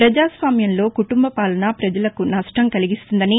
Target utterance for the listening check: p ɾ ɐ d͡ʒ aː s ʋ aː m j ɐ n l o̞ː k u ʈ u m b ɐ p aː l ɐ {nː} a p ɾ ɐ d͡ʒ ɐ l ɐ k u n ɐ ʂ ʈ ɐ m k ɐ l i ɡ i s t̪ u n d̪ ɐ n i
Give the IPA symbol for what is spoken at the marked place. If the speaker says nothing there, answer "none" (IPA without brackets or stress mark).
n